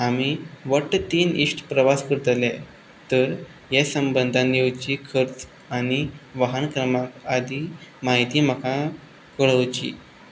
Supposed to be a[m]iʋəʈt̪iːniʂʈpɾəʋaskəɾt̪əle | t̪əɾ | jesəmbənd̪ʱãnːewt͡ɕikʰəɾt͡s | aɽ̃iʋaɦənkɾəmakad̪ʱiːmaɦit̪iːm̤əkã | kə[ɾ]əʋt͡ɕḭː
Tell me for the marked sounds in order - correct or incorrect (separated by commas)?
correct, incorrect